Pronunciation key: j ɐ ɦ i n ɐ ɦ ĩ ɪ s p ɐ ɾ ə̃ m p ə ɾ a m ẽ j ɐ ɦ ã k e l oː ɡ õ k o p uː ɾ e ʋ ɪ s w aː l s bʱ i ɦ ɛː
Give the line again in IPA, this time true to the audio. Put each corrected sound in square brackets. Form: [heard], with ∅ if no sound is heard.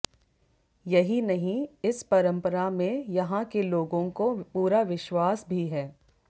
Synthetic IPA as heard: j ɐ ɦ i n ɐ ɦ ĩ ɪ s p ɐ ɾ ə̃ m p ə ɾ a m ẽ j ɐ ɦ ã k e l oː ɡ õ k o p uː ɾ [a] ʋ ɪ [ʃ] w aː [∅] s bʱ i ɦ ɛː